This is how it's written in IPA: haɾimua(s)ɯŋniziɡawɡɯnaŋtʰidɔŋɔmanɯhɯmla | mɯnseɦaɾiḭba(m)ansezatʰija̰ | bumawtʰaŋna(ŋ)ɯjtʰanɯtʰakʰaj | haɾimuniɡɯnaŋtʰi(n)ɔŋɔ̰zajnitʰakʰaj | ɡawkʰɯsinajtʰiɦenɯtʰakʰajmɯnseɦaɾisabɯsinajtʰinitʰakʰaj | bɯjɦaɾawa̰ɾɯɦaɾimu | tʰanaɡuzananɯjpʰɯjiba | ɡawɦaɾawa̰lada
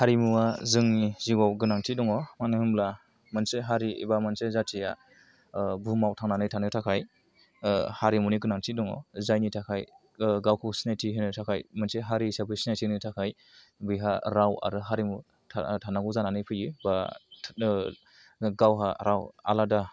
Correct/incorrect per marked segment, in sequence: incorrect, correct, incorrect, incorrect

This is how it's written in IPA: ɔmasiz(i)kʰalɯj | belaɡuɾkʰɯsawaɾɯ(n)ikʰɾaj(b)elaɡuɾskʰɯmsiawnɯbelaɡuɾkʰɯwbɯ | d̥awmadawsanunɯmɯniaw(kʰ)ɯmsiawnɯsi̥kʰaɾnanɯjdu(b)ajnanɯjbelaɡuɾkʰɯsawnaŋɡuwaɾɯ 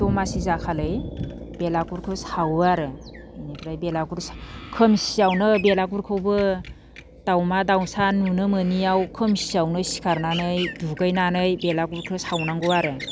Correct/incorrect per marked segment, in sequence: incorrect, correct, correct, correct, incorrect

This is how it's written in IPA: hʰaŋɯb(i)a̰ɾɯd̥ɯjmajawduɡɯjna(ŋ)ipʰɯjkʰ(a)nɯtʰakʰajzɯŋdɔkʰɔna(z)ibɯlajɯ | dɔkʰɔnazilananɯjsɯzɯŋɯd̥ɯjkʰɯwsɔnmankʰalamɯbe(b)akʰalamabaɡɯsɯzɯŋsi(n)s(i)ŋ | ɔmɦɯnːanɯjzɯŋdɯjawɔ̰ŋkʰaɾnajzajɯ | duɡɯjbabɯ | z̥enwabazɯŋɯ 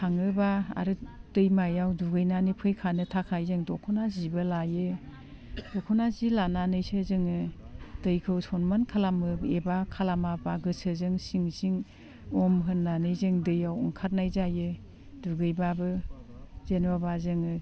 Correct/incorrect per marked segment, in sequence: incorrect, incorrect, correct, correct, correct, incorrect, correct

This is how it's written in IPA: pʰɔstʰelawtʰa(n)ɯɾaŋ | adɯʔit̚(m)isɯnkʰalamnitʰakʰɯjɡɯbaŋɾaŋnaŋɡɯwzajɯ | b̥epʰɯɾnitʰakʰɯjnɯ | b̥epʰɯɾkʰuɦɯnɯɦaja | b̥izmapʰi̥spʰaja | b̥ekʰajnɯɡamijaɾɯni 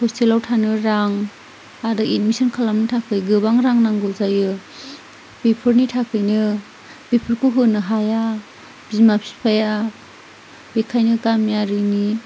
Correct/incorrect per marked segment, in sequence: correct, correct

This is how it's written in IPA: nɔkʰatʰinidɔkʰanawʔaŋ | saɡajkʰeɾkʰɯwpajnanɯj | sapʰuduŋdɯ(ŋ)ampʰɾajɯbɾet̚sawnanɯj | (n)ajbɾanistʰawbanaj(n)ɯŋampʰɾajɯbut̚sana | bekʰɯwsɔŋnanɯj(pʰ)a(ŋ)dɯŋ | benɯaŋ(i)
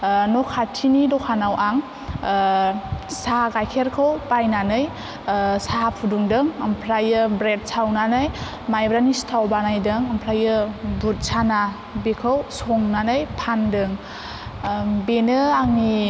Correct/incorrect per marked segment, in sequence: correct, incorrect, incorrect, correct, incorrect, correct

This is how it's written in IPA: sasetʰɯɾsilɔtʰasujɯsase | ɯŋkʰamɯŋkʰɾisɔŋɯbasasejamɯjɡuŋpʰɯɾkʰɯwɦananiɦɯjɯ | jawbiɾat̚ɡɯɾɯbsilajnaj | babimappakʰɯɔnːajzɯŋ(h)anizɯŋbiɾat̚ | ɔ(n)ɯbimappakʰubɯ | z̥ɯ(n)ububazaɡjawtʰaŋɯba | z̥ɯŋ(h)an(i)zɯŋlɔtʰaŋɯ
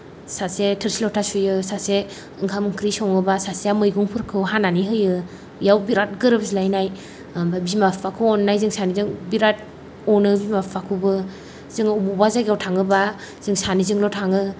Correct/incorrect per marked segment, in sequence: incorrect, correct, incorrect, incorrect, correct

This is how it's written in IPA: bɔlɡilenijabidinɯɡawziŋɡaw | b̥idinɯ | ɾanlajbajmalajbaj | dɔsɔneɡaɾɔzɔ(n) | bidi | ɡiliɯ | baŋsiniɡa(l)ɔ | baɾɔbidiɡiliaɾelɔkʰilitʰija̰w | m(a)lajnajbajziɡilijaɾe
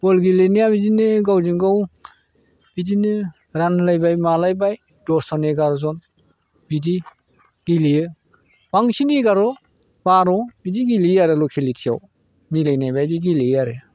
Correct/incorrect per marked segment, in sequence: correct, incorrect, incorrect

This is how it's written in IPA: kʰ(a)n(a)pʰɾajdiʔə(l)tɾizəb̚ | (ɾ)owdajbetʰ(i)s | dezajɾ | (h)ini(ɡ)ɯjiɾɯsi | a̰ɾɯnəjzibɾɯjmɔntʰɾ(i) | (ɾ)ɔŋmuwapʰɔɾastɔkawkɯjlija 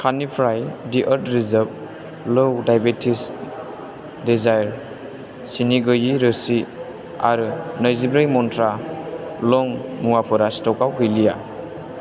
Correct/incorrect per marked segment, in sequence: correct, incorrect, incorrect, incorrect, correct, incorrect, correct, incorrect, incorrect

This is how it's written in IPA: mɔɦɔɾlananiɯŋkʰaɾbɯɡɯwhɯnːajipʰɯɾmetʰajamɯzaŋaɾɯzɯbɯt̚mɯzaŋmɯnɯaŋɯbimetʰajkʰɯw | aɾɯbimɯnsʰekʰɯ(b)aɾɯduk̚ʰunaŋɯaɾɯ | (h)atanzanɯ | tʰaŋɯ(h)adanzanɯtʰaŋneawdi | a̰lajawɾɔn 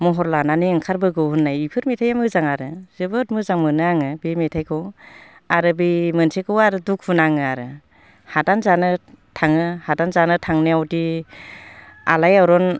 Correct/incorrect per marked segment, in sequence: incorrect, correct, correct

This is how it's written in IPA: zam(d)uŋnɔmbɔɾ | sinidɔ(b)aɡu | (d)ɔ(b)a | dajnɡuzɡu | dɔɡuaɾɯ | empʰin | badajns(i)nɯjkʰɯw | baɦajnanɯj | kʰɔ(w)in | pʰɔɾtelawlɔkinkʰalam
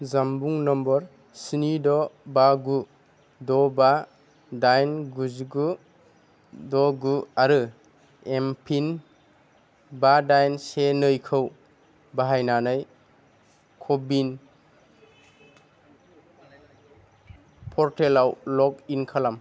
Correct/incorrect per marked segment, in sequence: incorrect, correct, correct, correct, incorrect, incorrect

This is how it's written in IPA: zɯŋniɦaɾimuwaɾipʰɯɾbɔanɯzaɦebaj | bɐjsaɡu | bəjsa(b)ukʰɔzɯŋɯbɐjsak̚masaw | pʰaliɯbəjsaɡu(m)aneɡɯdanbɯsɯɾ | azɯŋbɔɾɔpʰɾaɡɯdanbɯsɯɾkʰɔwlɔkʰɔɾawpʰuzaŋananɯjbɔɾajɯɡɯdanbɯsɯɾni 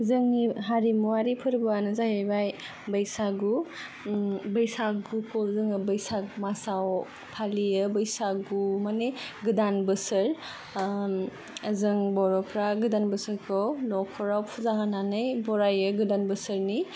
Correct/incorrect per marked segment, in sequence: incorrect, correct

